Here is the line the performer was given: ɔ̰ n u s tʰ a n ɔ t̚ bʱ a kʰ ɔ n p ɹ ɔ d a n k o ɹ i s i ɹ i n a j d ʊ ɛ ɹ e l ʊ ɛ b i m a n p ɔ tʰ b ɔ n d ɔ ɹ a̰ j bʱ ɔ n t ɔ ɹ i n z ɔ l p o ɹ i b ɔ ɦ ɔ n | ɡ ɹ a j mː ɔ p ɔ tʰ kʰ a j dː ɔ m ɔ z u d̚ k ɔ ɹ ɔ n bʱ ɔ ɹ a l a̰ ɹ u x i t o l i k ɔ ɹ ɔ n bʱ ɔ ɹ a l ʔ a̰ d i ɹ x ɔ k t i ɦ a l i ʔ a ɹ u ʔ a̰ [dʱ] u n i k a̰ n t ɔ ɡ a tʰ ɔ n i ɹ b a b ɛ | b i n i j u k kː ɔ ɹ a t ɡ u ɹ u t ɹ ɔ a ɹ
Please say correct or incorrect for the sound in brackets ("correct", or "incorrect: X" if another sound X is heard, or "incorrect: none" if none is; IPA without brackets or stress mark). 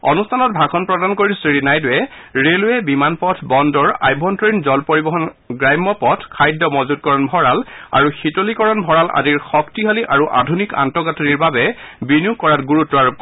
correct